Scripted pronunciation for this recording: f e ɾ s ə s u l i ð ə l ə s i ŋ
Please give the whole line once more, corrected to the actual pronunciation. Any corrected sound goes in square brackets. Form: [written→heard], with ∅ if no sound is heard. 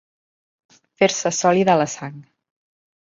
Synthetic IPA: f e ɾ s ə s [u→ɔ] l i ð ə l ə s [i→a] ŋ